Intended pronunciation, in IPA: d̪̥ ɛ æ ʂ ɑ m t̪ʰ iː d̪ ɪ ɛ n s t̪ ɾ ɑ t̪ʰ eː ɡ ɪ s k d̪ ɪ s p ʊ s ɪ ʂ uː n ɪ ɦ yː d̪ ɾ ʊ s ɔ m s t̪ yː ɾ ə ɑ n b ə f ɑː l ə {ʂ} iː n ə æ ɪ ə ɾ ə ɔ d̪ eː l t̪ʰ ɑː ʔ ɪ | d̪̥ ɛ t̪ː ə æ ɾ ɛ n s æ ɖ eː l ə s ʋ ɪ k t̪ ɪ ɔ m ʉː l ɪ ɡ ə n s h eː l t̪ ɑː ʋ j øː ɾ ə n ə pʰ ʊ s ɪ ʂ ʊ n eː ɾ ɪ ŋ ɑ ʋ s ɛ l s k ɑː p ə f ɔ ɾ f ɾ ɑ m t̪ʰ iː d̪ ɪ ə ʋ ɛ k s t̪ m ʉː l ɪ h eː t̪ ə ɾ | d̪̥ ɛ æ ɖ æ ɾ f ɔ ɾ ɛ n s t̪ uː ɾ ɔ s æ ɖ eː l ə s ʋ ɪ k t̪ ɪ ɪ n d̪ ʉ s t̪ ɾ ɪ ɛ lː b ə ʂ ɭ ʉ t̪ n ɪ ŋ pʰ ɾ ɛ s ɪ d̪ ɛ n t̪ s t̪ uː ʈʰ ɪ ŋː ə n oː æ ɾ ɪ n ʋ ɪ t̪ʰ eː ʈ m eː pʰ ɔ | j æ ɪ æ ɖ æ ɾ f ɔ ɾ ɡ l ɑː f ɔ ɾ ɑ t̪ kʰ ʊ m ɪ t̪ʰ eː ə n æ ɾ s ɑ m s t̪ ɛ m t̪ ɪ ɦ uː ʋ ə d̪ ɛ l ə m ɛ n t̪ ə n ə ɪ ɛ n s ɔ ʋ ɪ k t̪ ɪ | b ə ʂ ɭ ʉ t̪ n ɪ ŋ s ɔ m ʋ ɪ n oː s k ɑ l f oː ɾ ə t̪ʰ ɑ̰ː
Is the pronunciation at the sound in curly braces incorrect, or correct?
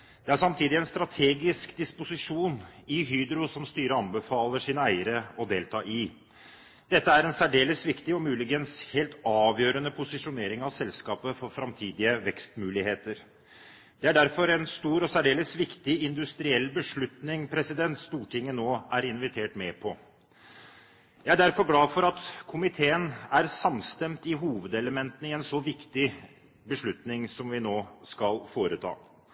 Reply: correct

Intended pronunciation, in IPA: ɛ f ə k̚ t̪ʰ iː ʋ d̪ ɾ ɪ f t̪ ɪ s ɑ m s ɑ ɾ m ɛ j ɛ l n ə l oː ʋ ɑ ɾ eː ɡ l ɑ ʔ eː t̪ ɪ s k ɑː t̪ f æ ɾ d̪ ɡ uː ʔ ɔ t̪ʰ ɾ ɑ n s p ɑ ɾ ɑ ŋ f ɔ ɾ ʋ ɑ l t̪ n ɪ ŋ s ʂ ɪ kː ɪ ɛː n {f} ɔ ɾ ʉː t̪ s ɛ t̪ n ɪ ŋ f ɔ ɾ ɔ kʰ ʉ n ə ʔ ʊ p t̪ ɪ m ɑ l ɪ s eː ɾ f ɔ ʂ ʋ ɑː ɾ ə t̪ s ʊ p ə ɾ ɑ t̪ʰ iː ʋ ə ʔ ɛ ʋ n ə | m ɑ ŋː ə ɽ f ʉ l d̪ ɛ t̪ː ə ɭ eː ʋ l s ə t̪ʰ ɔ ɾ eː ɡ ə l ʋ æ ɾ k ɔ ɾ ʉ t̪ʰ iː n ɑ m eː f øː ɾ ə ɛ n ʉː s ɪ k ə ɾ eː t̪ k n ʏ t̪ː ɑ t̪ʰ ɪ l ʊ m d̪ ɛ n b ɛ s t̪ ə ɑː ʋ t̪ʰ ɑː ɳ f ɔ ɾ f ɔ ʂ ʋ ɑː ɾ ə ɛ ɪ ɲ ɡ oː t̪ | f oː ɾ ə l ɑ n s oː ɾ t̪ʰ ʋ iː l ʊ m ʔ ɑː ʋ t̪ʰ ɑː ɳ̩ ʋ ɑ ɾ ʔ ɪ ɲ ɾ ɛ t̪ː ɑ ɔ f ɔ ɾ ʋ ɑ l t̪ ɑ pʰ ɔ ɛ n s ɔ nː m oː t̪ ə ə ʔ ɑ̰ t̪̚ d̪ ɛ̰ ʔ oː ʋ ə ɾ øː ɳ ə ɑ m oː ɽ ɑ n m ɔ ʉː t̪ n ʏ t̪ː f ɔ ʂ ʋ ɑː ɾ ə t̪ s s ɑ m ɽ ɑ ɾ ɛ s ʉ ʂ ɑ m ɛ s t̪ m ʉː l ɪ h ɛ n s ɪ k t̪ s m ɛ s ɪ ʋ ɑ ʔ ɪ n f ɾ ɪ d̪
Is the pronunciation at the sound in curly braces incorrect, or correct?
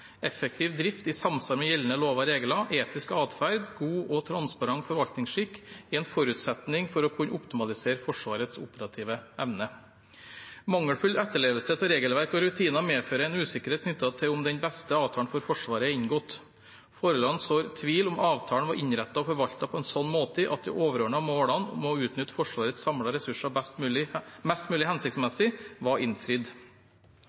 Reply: correct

